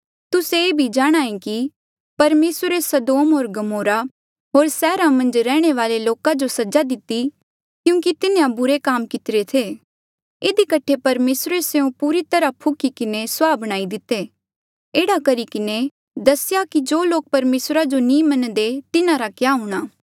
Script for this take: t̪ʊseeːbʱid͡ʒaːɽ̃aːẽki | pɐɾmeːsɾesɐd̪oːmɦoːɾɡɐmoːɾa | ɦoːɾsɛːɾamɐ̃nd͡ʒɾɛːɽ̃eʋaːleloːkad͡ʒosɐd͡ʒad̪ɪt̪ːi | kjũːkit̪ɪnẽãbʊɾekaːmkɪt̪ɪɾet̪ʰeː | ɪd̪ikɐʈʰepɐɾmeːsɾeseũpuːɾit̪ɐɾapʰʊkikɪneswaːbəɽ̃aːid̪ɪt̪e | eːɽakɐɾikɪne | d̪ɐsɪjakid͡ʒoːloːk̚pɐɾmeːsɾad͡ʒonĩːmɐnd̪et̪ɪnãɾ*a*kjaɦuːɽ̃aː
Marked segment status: correct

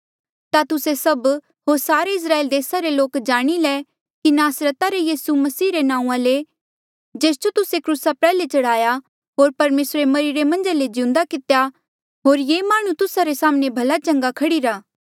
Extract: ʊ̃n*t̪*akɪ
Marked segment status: incorrect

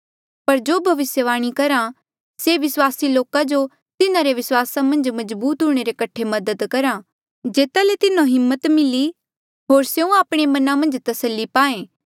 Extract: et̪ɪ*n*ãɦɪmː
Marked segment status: correct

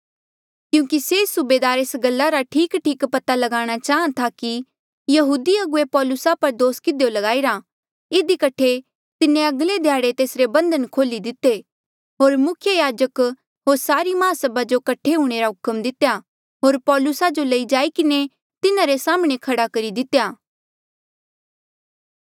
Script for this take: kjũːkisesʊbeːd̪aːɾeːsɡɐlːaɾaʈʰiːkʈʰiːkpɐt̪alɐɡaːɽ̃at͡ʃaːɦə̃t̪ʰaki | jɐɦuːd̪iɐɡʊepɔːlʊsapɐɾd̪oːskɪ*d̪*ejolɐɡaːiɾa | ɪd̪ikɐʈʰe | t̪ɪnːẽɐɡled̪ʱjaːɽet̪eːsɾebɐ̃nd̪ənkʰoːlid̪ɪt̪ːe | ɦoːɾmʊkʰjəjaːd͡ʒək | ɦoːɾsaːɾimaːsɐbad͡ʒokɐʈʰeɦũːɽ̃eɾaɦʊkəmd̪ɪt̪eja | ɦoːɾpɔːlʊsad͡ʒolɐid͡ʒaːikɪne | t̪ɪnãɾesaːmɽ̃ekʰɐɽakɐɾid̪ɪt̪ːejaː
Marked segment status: correct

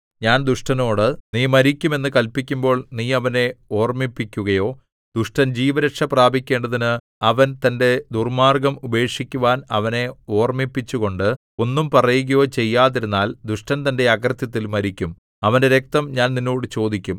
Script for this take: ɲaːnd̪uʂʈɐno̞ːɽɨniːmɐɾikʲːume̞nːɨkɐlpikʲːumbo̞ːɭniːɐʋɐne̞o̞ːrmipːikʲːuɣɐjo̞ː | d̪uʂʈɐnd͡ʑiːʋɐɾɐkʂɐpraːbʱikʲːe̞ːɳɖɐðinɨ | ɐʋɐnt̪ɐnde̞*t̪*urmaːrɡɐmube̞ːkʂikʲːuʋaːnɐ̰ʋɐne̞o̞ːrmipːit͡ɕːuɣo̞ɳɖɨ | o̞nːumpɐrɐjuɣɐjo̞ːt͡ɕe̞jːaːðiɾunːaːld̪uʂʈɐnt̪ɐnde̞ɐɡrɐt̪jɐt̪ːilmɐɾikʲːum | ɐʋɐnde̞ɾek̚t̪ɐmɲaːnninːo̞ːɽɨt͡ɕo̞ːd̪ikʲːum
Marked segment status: incorrect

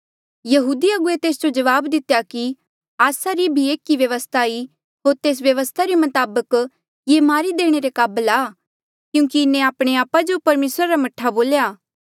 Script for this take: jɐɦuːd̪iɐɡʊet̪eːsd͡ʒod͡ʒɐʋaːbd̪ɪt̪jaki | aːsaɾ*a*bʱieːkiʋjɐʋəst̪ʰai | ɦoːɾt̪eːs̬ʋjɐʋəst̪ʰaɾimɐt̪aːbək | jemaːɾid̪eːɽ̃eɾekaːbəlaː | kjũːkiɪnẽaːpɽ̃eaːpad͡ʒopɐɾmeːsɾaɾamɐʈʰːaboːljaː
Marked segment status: incorrect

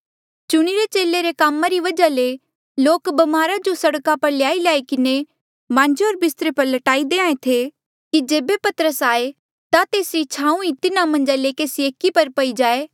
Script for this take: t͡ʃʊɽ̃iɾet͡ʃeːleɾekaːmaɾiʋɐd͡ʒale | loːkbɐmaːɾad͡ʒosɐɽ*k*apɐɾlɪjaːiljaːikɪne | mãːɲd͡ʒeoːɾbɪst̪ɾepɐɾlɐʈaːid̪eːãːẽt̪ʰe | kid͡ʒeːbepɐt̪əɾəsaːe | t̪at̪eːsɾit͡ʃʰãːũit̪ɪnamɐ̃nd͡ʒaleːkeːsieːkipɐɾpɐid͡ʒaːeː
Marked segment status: correct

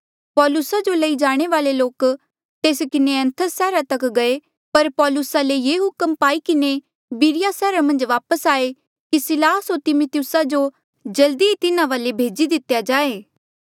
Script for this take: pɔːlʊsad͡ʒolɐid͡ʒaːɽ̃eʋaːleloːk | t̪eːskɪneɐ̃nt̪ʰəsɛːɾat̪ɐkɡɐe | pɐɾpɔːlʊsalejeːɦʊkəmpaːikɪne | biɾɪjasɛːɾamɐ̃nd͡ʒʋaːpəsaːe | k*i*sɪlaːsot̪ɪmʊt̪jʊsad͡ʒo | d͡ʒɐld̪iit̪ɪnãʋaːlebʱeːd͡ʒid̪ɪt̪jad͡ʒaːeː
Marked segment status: correct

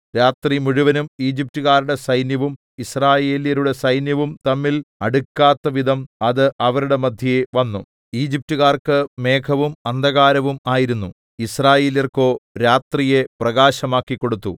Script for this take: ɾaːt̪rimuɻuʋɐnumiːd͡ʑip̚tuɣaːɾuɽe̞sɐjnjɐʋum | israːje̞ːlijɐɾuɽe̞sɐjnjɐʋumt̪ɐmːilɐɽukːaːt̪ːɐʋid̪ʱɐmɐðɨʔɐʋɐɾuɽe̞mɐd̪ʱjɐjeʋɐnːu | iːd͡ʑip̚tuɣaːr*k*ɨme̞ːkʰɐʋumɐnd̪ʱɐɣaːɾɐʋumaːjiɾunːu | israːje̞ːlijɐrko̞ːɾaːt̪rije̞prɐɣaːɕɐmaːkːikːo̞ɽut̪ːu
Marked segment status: correct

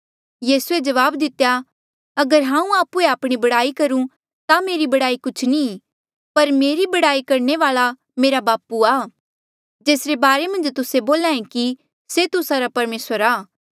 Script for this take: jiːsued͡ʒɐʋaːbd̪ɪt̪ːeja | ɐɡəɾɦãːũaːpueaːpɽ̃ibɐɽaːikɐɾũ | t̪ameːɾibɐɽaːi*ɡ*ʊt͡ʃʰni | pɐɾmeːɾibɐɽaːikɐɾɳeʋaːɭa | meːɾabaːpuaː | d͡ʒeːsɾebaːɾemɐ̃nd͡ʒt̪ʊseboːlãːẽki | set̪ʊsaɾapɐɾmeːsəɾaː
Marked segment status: incorrect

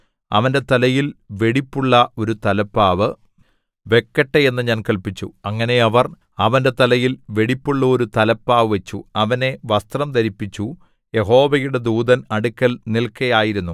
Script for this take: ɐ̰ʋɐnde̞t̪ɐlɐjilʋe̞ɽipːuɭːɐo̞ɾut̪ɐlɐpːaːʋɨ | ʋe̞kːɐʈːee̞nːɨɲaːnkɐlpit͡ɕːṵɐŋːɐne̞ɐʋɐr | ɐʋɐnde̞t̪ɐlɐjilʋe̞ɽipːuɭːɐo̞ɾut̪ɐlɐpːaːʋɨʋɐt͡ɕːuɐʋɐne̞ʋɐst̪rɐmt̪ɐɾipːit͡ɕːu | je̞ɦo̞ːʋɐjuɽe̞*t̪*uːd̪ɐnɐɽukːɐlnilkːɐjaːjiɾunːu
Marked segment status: incorrect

